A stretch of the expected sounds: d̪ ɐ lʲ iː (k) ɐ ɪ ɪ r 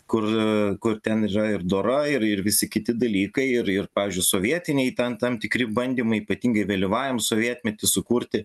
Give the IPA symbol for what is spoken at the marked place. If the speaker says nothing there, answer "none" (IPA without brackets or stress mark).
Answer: k